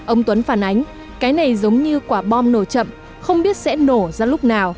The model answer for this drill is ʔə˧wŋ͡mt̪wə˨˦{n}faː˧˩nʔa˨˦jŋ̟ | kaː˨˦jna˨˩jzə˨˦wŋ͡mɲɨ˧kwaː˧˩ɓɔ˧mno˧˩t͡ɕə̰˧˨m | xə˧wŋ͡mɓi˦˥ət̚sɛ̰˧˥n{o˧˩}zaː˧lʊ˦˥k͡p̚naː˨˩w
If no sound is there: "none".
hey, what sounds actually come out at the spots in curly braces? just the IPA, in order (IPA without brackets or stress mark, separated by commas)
n, o˧˩